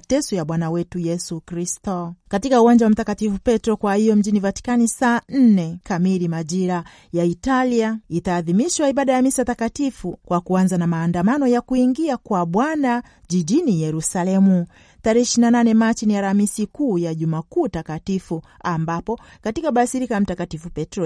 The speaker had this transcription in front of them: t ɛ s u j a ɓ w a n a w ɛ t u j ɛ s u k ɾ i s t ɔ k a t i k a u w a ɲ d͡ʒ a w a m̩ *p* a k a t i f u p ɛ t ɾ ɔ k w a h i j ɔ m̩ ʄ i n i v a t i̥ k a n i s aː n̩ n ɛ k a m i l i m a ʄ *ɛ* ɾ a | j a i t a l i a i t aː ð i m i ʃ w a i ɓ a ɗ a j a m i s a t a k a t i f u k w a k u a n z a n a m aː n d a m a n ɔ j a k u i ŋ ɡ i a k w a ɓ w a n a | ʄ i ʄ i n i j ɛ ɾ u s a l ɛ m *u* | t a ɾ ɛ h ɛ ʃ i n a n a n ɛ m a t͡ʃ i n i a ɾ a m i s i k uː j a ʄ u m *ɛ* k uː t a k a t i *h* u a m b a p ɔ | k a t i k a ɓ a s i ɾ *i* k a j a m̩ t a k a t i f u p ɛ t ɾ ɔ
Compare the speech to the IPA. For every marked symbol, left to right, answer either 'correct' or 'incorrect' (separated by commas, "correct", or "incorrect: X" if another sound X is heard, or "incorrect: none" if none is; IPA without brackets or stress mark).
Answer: incorrect: t, incorrect: i, correct, incorrect: a, incorrect: f, correct